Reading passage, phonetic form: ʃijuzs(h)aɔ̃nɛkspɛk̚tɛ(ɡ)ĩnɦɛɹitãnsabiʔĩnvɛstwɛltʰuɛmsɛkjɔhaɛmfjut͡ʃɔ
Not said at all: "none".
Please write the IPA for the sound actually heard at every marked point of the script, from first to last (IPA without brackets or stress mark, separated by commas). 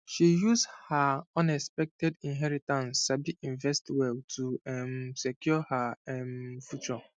h, d